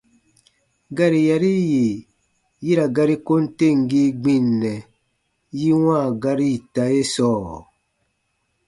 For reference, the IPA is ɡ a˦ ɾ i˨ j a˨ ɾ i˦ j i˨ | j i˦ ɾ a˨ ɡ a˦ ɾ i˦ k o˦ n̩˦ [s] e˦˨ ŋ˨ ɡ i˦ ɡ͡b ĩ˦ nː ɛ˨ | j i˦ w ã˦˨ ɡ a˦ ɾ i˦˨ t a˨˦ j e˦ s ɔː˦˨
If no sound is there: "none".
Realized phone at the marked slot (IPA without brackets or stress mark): t